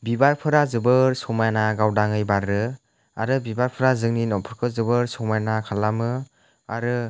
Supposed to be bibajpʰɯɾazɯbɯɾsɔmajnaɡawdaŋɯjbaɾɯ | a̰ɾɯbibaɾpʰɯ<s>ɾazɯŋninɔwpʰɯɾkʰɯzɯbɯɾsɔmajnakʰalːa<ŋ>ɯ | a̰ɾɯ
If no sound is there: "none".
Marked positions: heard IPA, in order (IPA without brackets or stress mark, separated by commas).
none, m